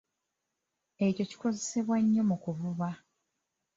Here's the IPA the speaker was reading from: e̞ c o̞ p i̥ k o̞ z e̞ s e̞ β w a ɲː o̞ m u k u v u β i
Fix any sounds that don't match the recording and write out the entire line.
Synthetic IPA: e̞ c o̞ c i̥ k o̞ z e̞ s e̞ β w a ɲː o̞ m u k u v u β a